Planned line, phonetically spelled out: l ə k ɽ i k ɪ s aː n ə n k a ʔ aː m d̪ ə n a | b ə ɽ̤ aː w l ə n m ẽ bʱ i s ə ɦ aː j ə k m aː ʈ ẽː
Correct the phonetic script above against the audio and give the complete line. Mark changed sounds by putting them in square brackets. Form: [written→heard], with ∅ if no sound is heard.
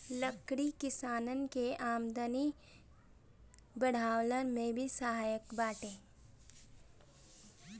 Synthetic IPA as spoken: l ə k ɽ i k ɪ s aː n ə n k [a→e] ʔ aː m d̪ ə n [a→i] | b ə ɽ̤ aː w l ə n m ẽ bʱ i s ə ɦ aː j ə k [m→b] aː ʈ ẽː